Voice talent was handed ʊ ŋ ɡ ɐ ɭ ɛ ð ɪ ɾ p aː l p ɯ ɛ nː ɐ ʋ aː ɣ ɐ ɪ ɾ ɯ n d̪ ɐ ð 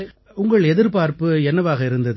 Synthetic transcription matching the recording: ʊ ŋ ɡ ɐ ɭ ɛ ð ɪ ɾ p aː ɾ p ɯ ɛ nː ɐ ʋ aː ɣ ɐ ɪ ɾ ɯ n d̪ ɐ ð

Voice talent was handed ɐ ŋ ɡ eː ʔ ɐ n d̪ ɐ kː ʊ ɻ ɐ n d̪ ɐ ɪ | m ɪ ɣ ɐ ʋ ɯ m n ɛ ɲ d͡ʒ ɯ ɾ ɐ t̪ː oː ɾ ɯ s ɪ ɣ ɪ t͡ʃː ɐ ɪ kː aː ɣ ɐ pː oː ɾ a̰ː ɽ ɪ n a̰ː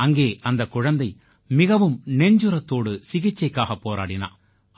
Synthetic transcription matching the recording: ɐ ŋ ɡ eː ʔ ɐ n d̪ ɐ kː ʊ ɻ ɐ n d̪ ɐ ɪ | m ɪ ɣ ɐ ʋ ɯ m n ɛ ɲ d͡ʒ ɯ ɾ ɐ t̪ː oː ɽ ɯ s ɪ ɣ ɪ t͡ʃː ɐ ɪ kː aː ɣ ɐ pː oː ɾ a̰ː ɽ ɪ n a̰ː

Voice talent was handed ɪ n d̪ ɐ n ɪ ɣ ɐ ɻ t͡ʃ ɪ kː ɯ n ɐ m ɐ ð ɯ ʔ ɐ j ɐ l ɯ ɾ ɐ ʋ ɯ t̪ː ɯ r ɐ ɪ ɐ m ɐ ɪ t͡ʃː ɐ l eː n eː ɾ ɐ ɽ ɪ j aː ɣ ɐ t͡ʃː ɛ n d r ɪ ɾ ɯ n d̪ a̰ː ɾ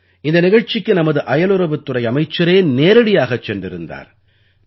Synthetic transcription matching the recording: ɪ n d̪ ɐ n ɪ ɣ ɐ ɻ t͡ʃ ɪ kː ɯ n ɐ m ɐ ð ɯ ʔ ɐ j ɐ l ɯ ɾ ɐ ʋ ɯ t̪ː ɯ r ɐ ɪ ɐ m ɐ ɪ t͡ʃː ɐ ɾ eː n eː ɾ ɐ ɽ ɪ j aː ɣ ɐ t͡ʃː ɛ n d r ɪ ɾ ɯ n d̪ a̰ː ɾ

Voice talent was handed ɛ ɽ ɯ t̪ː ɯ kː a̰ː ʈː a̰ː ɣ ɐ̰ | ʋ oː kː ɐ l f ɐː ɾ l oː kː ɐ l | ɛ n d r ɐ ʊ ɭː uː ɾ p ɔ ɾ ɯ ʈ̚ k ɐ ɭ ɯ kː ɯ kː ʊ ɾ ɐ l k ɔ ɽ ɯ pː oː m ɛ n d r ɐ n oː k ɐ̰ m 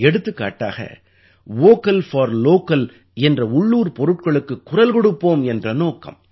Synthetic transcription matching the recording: ɛ ɽ ɯ t̪ː ɯ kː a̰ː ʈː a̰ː ɣ ɐ̰ | ʋ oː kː ɐ l f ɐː ɾ l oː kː ɐ l | ɛ n d r ɐ ʊ ɭː uː ɾ p ɔ ɾ ɯ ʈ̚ k ɐ ɭ ɯ kː ɯ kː ʊ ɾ ɐ l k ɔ ɽ ɯ pː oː m ɛ n d r ɐ n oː k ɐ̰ m

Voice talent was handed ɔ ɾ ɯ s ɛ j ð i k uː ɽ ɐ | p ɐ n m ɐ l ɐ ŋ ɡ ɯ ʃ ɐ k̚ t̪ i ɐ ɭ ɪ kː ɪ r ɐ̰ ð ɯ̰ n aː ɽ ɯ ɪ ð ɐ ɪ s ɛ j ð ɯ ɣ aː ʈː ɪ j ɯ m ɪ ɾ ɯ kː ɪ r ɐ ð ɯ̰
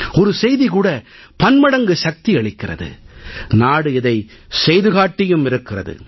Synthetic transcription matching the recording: ɔ ɾ ɯ s ɛ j ð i k uː ɽ ɐ | p ɐ n m ɐ ɽ ɐ ŋ ɡ ɯ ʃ ɐ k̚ t̪ i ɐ ɭ ɪ kː ɪ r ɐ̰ ð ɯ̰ n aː ɽ ɯ ɪ ð ɐ ɪ s ɛ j ð ɯ ɣ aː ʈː ɪ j ɯ m ɪ ɾ ɯ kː ɪ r ɐ ð ɯ̰

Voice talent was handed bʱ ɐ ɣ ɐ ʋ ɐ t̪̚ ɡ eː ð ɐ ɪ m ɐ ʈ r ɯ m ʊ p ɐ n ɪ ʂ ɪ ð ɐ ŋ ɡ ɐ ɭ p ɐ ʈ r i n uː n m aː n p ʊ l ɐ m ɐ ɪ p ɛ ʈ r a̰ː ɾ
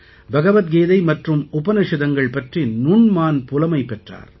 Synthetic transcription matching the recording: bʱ ɐ ɣ ɐ ʋ ɐ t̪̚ ɡ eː ð ɐ ɪ m ɐ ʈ r ɯ m ʊ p ɐ n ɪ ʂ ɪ ð ɐ ŋ ɡ ɐ ɭ p ɐ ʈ r i n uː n m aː n p ʊ l ɐ m ɐ ɪ p ɛ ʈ r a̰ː ɾ

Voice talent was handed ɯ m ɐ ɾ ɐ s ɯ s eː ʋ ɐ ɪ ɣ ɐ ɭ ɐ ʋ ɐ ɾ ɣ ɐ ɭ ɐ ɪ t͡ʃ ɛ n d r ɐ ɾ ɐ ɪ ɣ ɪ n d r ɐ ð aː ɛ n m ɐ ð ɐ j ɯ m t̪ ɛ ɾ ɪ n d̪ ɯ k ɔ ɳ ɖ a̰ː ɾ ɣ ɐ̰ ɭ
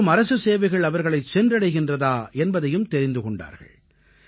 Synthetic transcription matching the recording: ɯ m ɐ ɾ ɐ s ɯ s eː ʋ ɐ ɪ ɣ ɐ ɭ ɐ ʋ ɐ ɾ ɣ ɐ ɭ ɐ ɪ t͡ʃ ɛ n d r ɐ ɽ ɐ ɪ ɣ ɪ n d r ɐ ð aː ɛ n b ɐ ð ɐ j ɯ m t̪ ɛ ɾ ɪ n d̪ ɯ k ɔ ɳ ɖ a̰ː ɾ ɣ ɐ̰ ɭ

